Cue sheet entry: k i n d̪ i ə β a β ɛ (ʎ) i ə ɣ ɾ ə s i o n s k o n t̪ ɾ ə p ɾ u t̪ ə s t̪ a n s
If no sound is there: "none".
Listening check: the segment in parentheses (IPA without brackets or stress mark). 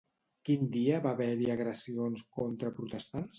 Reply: ɾ